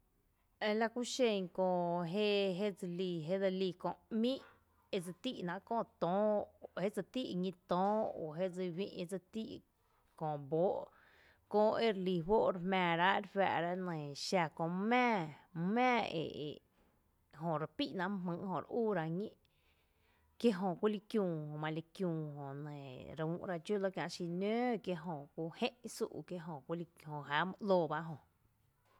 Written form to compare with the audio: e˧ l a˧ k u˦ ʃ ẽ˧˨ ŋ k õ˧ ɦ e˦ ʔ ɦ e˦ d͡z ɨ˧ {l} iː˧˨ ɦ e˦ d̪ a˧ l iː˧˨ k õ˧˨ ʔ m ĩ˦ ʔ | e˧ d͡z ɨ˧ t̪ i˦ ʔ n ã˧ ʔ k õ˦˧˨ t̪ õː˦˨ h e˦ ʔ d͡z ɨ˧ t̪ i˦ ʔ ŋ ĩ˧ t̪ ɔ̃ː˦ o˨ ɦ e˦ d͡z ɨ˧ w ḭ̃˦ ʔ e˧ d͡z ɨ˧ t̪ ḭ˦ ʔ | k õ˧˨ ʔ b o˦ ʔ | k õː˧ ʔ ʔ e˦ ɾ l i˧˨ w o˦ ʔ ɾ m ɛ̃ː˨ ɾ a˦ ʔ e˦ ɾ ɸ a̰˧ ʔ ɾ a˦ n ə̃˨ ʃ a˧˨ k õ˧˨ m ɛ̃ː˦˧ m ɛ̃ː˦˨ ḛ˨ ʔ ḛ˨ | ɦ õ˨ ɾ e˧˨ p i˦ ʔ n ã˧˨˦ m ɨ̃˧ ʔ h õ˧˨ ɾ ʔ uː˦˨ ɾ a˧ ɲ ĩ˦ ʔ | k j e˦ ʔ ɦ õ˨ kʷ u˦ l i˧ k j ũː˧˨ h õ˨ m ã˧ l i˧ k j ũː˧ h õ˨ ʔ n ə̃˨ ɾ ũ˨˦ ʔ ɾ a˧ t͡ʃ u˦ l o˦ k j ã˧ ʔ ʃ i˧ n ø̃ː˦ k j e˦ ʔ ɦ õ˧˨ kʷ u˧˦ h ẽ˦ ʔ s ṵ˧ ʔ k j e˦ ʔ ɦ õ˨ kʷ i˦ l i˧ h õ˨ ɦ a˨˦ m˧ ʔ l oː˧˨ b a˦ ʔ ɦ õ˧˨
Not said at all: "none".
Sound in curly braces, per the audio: l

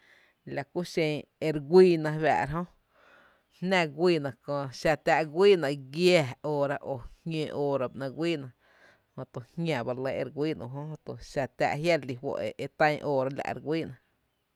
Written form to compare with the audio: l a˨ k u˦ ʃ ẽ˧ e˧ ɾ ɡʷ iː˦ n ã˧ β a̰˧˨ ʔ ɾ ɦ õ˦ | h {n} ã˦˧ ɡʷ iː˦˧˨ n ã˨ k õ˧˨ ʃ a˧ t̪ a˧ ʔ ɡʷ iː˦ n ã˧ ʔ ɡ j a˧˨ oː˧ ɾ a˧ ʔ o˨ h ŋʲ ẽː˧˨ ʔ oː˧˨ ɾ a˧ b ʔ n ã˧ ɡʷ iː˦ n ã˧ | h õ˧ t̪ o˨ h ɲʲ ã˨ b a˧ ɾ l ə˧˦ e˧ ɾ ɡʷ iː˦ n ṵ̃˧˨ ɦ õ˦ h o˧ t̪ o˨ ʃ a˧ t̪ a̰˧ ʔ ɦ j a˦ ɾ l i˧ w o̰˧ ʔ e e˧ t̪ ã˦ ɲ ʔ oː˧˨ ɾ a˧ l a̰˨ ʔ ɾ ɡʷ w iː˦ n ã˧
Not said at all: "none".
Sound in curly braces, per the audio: n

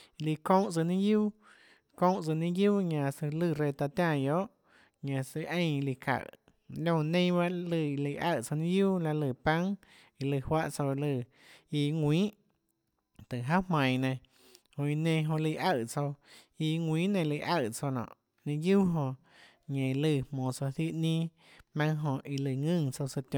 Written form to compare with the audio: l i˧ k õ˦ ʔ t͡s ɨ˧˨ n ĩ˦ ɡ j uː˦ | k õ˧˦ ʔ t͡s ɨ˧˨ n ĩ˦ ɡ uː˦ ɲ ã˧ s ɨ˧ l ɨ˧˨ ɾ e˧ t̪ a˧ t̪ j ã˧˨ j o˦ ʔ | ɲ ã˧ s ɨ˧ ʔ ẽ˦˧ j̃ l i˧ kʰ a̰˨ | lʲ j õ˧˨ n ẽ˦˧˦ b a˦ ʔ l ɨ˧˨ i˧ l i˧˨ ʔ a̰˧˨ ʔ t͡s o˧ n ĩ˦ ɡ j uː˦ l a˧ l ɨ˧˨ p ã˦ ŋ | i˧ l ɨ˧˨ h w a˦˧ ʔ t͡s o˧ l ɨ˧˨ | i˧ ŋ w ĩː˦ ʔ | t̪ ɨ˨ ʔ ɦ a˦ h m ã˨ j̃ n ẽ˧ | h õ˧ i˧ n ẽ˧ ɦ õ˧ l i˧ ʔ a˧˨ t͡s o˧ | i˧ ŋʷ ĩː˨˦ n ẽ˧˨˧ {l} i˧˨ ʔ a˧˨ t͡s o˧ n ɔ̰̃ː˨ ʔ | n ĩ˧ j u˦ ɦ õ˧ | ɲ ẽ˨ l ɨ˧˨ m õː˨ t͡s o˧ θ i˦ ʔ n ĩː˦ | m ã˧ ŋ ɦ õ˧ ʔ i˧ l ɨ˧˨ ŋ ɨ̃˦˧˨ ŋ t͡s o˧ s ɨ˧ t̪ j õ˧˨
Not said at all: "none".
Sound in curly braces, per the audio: l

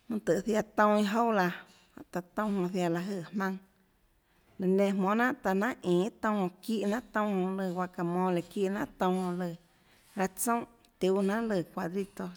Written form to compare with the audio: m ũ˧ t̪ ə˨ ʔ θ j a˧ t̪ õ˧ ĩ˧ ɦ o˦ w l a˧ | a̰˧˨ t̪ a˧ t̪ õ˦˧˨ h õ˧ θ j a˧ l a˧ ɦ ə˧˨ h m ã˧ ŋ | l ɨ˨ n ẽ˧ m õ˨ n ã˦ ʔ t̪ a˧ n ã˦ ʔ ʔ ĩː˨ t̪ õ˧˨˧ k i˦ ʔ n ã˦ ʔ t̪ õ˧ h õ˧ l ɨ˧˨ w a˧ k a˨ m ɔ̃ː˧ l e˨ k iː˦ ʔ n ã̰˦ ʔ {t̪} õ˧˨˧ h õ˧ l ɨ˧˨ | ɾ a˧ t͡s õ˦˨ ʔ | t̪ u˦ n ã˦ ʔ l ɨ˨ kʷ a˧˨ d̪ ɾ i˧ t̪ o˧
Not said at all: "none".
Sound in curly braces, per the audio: t̪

